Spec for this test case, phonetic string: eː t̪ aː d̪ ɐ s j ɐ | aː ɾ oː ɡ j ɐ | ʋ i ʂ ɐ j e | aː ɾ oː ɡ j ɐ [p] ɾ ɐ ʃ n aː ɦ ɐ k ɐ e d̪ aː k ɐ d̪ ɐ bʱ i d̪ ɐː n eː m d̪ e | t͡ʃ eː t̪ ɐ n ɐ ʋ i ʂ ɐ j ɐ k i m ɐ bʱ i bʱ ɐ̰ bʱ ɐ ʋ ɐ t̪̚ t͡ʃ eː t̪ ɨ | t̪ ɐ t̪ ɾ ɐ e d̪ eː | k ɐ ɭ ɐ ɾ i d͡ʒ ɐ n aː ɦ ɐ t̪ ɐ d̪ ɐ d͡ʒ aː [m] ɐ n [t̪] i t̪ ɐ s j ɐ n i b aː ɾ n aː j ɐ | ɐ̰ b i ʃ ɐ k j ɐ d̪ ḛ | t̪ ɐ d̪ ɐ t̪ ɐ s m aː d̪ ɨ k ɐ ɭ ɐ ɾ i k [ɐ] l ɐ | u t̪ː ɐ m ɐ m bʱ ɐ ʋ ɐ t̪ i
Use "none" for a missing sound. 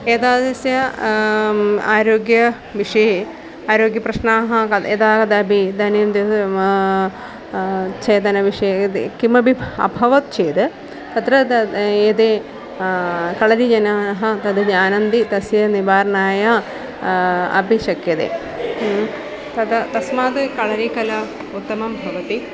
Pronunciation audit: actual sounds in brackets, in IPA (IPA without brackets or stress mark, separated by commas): p, n, d̪, ɐ